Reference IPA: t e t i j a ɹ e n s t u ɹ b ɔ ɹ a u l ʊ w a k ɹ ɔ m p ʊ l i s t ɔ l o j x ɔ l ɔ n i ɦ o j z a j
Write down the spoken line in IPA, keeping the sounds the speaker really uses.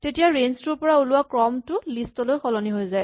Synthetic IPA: t e t i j a ɹ e n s t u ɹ p ɔ ɹ a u l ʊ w a k ɹ ɔ m t ʊ l i s t ɔ l o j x ɔ l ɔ n i ɦ o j z a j